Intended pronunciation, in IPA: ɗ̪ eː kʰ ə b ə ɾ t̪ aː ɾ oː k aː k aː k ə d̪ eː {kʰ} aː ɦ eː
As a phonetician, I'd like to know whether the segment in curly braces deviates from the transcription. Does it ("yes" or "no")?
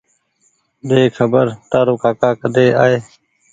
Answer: yes